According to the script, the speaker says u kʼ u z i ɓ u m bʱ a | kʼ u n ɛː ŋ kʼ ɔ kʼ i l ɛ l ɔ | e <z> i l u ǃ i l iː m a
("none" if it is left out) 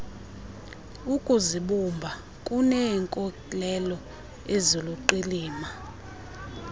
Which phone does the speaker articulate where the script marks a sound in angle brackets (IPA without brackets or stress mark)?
z